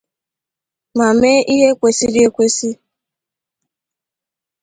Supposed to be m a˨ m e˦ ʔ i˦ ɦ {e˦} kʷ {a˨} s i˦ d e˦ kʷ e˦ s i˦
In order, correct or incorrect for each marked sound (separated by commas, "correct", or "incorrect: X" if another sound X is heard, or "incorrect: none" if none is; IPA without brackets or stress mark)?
correct, incorrect: e˨